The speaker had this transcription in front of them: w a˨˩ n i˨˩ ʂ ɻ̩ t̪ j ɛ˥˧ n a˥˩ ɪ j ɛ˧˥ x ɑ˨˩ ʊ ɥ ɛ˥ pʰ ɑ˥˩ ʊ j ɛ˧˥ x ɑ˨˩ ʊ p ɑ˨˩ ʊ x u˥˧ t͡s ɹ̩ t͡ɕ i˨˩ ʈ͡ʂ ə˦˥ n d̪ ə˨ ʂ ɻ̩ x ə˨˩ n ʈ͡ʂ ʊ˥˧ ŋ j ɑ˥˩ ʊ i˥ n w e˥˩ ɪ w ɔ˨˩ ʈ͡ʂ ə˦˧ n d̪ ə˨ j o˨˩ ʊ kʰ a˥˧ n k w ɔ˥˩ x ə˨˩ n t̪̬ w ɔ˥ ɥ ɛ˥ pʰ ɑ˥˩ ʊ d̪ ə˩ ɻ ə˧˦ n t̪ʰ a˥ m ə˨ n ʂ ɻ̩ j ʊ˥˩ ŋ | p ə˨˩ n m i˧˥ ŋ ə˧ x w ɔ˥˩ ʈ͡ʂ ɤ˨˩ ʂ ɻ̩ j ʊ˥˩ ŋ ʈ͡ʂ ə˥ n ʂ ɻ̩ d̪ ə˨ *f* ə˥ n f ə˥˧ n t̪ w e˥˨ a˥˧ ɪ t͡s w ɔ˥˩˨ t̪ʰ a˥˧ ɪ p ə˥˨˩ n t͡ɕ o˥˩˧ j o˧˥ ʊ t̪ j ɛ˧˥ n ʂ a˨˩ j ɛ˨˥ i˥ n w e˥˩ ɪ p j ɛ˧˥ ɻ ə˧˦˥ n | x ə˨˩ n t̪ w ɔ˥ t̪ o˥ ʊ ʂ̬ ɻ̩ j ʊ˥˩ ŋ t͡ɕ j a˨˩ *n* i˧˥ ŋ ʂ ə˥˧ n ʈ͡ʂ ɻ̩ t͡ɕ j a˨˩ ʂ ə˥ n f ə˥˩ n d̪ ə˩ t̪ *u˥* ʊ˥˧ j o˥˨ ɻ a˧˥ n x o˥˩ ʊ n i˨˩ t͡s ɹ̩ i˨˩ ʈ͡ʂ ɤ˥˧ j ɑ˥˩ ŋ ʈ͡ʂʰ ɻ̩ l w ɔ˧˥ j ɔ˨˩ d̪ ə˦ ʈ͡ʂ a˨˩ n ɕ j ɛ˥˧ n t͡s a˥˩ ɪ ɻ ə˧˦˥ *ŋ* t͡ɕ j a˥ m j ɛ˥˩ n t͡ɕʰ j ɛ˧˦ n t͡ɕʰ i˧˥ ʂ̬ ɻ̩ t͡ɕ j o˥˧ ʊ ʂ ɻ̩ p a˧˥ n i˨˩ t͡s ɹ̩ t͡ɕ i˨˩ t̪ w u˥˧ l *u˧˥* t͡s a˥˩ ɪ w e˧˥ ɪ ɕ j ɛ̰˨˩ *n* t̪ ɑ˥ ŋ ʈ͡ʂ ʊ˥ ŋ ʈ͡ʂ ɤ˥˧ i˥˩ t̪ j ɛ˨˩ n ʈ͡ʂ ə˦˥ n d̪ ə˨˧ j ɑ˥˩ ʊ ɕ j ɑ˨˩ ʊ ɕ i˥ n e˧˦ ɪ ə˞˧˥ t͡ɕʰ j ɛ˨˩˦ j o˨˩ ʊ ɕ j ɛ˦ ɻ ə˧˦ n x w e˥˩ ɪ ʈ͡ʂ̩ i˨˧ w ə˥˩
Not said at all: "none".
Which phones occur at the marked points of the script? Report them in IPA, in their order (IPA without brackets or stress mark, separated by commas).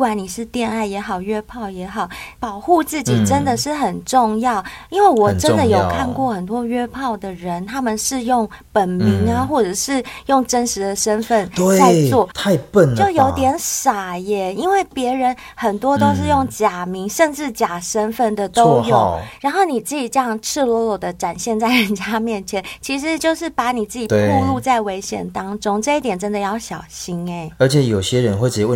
ʂ, m, o˥, n, u˥˧, n